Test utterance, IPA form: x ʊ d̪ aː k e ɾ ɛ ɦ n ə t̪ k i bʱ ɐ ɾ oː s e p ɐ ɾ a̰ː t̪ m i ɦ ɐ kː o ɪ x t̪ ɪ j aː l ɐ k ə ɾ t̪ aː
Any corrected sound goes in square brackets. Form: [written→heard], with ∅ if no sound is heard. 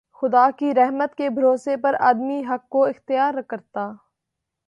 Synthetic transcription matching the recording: x ʊ d̪ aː k [e→i] ɾ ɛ ɦ [n→m] ə t̪ k [i→e] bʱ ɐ ɾ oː s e p ɐ ɾ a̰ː [t̪→d̪] m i ɦ ɐ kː o ɪ x t̪ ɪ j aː [l→ɾ] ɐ k ə ɾ t̪ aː

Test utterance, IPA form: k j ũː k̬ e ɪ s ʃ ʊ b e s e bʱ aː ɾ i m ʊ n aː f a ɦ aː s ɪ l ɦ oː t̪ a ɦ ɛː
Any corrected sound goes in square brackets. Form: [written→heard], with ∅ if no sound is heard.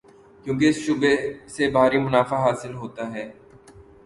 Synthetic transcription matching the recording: k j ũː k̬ e ɪ s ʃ ʊ b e s e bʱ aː ɾ i m ʊ n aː f a ɦ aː s ɪ l ɦ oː t̪ a ɦ ɛː

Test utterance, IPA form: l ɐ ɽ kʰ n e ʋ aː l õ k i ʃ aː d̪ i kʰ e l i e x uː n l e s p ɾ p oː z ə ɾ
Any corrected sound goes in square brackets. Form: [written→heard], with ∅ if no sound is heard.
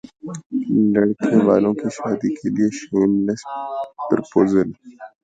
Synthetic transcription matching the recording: l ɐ ɽ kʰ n e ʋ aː l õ k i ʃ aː d̪ i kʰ e l i e [x→ʃ] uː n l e s p ɾ p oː z ə [ɾ→l]

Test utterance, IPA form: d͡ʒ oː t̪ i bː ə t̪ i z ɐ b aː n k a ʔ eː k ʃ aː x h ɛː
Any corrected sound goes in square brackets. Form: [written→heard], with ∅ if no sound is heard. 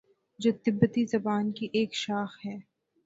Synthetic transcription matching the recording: d͡ʒ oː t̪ [i→ɪ] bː ə t̪ i z ɐ b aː n k [a→i] ʔ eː k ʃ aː x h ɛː

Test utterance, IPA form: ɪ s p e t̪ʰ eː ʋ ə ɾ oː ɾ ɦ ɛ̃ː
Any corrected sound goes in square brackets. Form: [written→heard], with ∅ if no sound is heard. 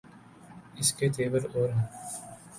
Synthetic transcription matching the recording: ɪ s [p→k] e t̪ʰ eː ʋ ə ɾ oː ɾ ɦ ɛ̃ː

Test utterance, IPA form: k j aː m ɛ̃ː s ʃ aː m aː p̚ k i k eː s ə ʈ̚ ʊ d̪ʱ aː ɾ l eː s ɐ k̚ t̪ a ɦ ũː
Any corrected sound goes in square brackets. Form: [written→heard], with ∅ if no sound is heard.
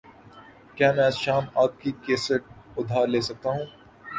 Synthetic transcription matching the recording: k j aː m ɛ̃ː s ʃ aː m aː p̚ k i k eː s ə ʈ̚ ʊ d̪ʱ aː ɾ l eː s ɐ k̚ t̪ a ɦ ũː

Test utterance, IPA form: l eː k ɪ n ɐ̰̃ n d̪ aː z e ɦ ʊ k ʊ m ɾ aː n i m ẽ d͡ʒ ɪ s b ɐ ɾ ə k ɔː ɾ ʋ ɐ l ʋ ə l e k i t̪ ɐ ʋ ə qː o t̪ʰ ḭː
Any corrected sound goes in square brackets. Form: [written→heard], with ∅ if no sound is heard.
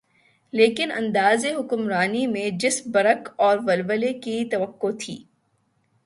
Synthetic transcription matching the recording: l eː k ɪ n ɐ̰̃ n d̪ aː z e ɦ ʊ k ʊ m ɾ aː n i m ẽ d͡ʒ ɪ s b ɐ ɾ ə k ɔː ɾ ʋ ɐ l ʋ ə l e k i t̪ ɐ ʋ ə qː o t̪ʰ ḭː

